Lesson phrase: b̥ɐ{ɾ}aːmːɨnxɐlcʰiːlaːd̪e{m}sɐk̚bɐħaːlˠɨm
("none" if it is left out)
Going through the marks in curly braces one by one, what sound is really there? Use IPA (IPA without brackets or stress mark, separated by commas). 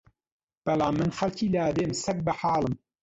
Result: l, m